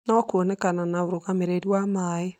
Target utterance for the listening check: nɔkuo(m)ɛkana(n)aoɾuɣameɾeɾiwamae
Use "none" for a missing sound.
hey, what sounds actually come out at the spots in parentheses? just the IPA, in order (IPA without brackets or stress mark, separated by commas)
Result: n, n